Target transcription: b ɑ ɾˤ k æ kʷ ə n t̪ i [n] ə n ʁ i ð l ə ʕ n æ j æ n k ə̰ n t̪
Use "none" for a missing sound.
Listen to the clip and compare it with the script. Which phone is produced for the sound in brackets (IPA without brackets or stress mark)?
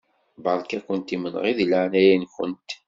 m